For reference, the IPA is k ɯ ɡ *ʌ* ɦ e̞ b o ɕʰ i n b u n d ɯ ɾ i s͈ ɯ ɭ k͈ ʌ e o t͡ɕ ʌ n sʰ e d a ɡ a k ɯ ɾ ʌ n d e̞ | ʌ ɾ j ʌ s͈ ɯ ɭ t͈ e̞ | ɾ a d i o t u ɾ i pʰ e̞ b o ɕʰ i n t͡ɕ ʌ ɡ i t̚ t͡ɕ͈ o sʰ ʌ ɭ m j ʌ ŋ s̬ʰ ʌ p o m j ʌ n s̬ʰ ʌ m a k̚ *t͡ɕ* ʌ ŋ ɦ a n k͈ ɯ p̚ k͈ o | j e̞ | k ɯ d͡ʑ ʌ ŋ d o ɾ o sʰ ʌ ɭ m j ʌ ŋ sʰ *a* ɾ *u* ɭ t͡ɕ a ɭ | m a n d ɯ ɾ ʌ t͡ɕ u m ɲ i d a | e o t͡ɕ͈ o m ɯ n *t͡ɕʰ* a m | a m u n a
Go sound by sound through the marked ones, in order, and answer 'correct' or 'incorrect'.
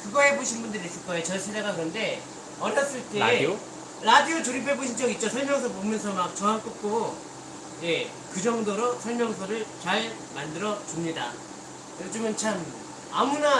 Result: correct, correct, incorrect, incorrect, correct

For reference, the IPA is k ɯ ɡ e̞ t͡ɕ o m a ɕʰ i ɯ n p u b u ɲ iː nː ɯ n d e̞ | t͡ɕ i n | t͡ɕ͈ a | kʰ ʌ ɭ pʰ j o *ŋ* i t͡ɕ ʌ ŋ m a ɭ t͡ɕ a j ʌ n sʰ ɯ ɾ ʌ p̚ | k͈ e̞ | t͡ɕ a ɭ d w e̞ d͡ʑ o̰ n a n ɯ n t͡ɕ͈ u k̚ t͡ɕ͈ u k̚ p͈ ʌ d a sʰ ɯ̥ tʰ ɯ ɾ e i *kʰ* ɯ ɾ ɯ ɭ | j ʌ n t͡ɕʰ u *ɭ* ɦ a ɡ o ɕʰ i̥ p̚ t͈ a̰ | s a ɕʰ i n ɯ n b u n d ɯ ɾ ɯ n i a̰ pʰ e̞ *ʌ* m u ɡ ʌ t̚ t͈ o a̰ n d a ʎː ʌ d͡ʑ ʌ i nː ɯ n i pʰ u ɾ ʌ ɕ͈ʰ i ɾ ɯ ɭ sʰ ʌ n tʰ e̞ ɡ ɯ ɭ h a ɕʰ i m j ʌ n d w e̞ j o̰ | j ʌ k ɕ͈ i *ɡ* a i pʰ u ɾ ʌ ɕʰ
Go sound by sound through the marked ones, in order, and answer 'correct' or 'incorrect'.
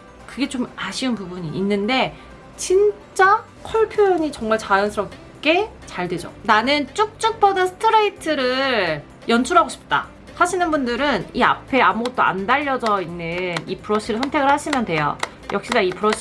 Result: incorrect, incorrect, incorrect, incorrect, incorrect

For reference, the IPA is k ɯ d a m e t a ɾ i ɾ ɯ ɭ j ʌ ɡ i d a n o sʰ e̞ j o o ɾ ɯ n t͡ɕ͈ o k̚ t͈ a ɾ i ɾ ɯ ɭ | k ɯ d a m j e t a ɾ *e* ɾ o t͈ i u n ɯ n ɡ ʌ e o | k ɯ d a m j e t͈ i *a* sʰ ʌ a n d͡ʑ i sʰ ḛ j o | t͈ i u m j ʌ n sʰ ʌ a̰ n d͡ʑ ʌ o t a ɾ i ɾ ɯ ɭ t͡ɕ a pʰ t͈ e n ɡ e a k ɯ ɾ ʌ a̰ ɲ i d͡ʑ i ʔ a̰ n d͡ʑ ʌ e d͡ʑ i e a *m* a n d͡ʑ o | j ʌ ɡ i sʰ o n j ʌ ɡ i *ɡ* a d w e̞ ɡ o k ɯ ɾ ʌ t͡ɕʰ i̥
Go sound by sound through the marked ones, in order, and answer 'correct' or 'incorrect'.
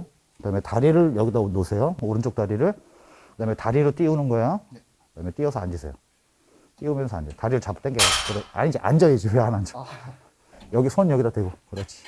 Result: incorrect, incorrect, incorrect, incorrect

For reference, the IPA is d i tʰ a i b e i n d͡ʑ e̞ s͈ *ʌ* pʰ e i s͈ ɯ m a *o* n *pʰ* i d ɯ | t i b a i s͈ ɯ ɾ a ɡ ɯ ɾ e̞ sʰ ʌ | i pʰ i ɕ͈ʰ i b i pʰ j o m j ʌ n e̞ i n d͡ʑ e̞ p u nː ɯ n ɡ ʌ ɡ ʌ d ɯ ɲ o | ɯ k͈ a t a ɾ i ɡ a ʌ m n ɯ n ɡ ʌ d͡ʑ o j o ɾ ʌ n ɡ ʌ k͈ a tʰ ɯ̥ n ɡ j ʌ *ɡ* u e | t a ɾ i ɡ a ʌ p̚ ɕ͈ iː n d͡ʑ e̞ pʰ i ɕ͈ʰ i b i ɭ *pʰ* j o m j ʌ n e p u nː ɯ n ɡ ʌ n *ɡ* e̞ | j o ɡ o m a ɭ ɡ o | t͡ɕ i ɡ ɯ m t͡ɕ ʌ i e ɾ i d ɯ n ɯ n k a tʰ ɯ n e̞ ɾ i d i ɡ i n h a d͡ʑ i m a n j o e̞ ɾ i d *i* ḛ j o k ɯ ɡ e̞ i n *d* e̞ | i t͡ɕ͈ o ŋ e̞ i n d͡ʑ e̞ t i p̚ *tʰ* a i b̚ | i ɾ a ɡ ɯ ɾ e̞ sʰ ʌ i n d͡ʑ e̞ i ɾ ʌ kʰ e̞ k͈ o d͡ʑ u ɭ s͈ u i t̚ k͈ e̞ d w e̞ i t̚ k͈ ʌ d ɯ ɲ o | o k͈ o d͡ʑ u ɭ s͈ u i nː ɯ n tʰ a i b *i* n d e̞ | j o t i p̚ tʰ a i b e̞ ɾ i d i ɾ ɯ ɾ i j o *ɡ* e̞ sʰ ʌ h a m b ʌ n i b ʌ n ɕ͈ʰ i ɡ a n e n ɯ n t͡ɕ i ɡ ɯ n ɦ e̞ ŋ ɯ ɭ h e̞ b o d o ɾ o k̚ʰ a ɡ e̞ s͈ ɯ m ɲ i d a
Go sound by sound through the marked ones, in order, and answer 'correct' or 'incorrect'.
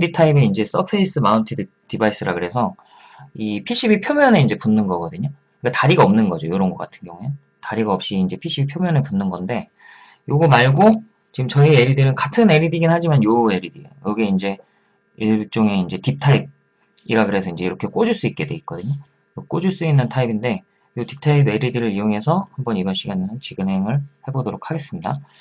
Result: correct, incorrect, incorrect, incorrect, correct, incorrect, correct, incorrect, correct, correct, incorrect

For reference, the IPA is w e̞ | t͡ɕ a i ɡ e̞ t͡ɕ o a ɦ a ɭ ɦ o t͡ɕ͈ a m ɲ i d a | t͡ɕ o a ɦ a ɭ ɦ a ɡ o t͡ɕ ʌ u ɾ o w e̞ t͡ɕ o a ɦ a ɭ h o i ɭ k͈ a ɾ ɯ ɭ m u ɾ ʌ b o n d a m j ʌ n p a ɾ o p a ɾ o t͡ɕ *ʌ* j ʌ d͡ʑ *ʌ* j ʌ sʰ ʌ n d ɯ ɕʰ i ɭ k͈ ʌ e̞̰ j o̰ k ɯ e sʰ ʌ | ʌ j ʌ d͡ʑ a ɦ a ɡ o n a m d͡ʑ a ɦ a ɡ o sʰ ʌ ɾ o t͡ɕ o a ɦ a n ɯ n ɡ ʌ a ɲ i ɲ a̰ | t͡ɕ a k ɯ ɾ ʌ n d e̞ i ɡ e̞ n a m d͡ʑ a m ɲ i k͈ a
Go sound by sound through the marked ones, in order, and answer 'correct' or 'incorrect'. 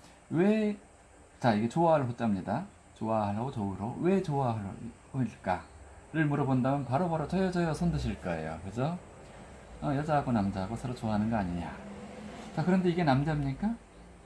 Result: correct, correct

